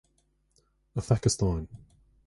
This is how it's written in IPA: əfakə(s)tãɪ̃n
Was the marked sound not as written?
no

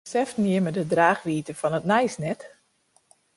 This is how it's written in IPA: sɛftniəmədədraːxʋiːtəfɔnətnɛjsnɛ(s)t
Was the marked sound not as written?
yes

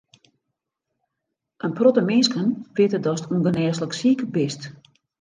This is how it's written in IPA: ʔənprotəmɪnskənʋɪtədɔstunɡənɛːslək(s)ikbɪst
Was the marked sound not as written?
no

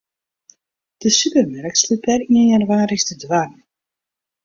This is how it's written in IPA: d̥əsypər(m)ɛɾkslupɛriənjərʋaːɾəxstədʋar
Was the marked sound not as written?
no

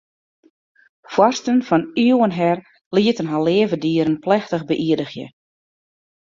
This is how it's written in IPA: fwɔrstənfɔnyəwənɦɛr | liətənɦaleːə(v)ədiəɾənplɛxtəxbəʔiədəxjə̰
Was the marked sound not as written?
no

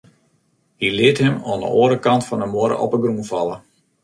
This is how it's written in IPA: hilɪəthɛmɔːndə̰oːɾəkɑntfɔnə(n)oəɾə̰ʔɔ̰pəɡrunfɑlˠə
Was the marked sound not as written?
yes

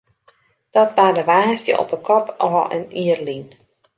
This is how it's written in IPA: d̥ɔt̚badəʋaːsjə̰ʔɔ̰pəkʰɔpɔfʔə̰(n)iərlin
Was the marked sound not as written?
no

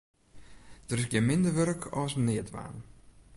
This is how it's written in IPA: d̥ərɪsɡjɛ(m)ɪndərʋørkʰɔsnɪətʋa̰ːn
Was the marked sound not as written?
no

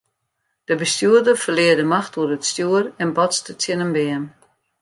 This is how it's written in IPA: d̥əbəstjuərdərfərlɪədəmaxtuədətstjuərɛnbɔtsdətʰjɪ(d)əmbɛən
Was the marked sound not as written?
yes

